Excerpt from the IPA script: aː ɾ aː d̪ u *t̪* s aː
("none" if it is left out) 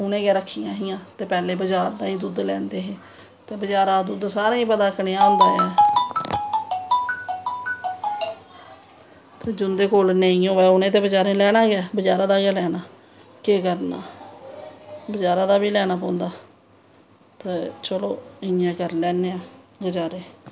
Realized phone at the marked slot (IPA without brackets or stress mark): d̪